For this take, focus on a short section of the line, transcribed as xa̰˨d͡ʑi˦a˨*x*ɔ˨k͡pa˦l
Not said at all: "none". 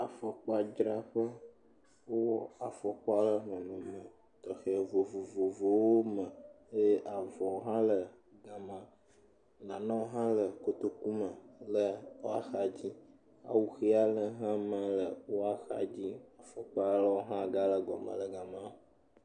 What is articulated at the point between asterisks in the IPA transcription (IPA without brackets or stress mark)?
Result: f